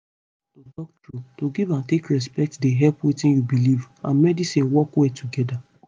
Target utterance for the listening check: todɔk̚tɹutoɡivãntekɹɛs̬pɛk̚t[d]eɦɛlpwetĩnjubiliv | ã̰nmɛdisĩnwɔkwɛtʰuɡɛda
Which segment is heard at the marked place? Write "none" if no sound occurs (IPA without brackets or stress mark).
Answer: d